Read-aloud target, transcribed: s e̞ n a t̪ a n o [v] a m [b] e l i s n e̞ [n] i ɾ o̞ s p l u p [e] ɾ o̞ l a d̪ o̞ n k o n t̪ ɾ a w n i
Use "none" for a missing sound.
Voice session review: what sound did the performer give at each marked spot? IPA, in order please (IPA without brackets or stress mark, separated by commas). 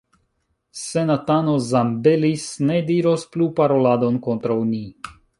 z, b, d, a